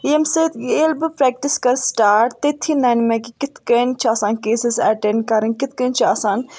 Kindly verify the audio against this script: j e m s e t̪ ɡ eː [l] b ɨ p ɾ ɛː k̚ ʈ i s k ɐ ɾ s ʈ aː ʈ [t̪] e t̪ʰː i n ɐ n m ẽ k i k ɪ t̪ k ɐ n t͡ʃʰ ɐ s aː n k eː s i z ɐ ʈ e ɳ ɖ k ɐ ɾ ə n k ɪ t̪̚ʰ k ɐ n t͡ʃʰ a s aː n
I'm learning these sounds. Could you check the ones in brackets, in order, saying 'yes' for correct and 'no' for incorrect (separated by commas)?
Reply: yes, yes